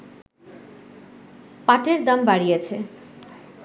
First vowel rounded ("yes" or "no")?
no